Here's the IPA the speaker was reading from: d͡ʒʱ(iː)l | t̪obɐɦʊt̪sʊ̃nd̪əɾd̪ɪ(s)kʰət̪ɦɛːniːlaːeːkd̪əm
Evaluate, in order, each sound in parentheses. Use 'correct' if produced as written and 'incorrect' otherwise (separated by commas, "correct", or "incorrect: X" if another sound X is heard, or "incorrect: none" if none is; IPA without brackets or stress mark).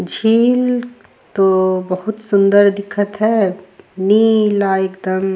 correct, incorrect: none